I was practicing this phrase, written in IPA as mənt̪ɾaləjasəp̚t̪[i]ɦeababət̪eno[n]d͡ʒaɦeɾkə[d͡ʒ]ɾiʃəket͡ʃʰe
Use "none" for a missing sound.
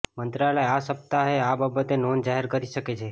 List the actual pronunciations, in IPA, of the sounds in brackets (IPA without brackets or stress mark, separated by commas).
a, n, none